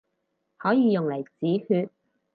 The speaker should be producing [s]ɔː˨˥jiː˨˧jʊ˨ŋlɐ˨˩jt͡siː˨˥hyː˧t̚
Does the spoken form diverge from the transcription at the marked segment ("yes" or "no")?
yes